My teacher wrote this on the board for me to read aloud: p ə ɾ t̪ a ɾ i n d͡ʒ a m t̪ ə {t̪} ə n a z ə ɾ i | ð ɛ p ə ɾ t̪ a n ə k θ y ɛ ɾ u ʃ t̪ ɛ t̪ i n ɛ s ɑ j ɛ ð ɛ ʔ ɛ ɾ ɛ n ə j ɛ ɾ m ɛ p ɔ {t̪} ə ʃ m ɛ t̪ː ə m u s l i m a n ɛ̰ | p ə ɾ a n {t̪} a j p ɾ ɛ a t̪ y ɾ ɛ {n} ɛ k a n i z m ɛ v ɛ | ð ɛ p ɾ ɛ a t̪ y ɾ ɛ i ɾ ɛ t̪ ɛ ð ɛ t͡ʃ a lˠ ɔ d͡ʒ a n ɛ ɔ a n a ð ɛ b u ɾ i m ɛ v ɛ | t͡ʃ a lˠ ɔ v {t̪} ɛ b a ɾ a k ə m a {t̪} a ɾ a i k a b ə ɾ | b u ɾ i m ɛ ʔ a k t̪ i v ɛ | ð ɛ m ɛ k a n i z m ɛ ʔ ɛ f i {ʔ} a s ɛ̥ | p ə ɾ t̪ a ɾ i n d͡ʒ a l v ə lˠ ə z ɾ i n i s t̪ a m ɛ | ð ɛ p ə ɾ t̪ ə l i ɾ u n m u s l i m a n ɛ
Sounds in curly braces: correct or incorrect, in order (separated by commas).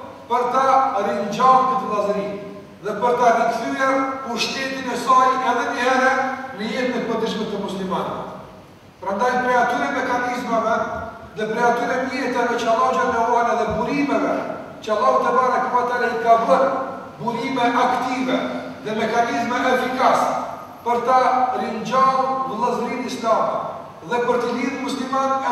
correct, incorrect, incorrect, incorrect, correct, correct, incorrect